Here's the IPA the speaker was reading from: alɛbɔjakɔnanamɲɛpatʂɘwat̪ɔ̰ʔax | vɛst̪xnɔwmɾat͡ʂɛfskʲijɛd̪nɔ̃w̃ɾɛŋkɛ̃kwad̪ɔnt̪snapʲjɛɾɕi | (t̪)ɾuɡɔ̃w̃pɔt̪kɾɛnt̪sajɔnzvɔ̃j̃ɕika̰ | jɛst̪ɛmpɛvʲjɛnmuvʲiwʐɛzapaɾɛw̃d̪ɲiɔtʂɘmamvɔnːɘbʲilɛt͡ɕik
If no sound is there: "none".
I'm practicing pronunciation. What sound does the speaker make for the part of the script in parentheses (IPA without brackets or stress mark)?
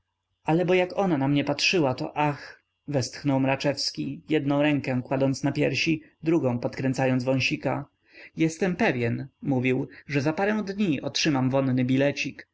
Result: d̪